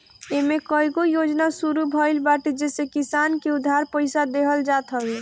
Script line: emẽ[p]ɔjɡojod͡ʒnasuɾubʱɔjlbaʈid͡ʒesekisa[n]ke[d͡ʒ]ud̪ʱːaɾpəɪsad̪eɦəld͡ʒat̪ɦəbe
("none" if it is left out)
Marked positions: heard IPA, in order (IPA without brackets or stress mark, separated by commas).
k, n, none